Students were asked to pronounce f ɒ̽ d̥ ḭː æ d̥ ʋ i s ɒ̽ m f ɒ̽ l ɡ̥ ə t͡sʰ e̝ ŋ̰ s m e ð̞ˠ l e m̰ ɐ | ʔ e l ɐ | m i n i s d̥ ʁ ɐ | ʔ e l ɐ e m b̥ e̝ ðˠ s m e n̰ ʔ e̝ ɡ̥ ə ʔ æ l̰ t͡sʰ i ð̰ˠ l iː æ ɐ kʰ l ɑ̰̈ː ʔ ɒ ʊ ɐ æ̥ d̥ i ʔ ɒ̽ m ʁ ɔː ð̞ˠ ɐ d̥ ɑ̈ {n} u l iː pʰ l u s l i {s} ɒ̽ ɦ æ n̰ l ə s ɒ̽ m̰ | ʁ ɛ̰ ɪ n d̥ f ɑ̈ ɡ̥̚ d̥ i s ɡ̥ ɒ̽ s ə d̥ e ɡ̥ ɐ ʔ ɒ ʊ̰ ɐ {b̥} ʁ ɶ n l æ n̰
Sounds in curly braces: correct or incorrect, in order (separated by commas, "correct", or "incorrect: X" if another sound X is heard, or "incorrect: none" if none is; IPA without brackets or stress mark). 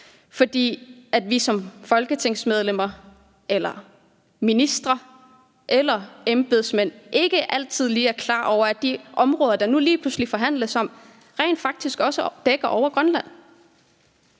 correct, incorrect: f, incorrect: ɡ̥